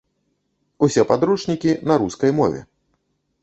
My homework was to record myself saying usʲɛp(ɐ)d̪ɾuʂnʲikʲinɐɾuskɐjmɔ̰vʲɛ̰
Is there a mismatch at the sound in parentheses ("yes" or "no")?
yes